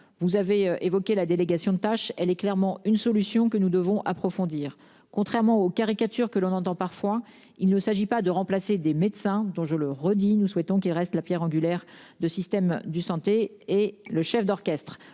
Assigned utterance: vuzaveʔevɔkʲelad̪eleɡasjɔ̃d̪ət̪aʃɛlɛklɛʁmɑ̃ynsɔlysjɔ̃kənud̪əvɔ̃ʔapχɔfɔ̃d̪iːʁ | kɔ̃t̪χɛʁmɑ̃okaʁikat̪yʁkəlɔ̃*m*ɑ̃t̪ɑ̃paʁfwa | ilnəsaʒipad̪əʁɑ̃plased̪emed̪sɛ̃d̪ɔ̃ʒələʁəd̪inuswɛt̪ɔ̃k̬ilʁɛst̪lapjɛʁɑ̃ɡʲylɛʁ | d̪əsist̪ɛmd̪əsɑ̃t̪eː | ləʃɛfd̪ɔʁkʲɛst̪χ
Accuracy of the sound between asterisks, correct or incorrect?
incorrect: n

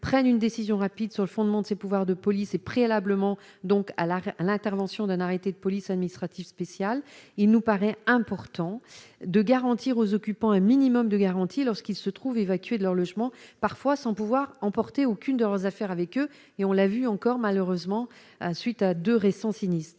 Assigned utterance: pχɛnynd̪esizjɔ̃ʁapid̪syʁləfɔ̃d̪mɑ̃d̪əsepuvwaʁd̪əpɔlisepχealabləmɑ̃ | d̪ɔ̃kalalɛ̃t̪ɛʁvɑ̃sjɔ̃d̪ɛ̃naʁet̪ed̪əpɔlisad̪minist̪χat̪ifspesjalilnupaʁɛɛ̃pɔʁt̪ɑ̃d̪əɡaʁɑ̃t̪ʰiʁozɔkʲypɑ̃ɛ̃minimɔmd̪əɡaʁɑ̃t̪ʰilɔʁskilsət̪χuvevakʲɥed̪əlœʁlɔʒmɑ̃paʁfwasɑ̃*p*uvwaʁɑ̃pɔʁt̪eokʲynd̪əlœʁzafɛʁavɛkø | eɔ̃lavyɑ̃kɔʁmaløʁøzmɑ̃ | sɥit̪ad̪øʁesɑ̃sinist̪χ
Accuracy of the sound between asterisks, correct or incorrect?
correct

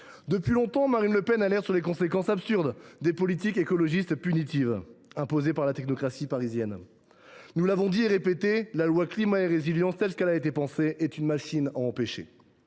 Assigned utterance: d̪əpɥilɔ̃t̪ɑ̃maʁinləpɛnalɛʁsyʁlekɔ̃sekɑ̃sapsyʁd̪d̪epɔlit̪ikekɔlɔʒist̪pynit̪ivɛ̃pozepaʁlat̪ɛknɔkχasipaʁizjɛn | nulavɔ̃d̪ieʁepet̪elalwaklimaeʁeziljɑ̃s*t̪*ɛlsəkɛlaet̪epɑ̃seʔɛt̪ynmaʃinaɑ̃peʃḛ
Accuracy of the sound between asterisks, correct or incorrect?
correct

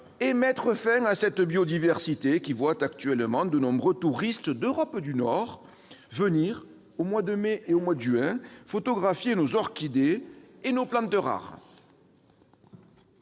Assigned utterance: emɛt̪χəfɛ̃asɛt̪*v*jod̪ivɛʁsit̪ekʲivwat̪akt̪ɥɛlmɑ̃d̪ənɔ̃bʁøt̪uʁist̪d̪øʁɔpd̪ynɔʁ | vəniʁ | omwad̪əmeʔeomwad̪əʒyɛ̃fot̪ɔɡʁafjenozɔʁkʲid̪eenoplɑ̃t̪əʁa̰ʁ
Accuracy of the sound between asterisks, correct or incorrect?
incorrect: b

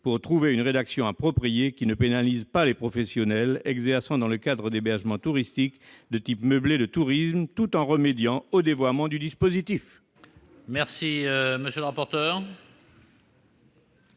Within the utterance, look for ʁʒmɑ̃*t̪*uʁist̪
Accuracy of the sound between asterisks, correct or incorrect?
correct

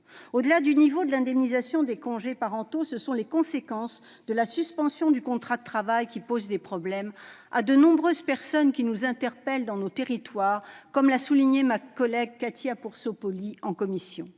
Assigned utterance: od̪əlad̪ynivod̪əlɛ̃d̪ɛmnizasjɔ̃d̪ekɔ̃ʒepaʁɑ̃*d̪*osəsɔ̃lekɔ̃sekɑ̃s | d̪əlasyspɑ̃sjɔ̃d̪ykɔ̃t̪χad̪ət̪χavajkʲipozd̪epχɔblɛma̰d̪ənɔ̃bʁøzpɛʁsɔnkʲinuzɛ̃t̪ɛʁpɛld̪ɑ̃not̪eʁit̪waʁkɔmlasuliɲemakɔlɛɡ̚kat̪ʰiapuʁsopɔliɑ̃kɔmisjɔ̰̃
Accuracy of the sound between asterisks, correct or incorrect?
incorrect: t̪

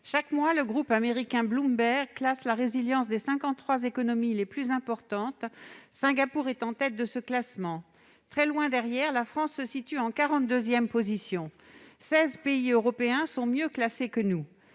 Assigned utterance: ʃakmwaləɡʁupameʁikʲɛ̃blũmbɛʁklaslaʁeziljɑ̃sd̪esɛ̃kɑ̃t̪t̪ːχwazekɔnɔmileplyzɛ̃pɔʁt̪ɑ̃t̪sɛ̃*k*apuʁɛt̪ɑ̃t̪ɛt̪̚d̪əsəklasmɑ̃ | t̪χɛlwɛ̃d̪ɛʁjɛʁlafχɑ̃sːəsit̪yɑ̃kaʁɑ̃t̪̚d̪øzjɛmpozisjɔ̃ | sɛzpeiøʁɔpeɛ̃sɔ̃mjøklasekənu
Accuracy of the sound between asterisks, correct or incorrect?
incorrect: ɡ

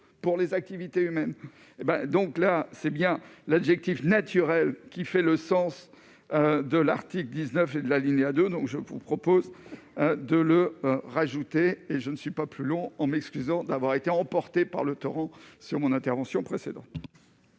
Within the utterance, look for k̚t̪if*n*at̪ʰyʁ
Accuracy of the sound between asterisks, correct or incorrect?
correct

